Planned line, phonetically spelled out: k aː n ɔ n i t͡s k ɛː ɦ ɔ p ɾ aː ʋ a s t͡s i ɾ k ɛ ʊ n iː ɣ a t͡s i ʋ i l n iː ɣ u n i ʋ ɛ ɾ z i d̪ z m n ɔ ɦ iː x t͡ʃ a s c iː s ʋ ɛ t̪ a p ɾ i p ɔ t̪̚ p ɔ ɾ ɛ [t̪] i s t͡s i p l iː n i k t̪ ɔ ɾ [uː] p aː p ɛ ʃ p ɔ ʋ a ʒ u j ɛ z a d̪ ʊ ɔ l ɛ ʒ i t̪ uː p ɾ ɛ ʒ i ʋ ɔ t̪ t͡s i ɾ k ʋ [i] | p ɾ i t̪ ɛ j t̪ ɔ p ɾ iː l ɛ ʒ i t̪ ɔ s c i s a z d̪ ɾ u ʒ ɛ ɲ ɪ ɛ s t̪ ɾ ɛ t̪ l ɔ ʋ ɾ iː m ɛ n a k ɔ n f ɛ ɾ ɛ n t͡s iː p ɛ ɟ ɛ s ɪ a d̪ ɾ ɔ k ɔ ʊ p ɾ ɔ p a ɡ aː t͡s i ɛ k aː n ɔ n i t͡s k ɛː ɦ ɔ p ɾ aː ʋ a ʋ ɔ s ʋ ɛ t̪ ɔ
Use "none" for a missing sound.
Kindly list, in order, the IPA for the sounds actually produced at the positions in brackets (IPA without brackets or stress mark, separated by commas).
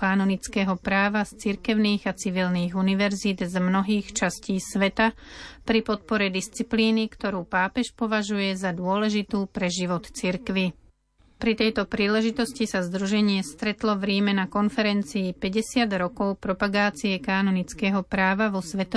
d̪, uː, i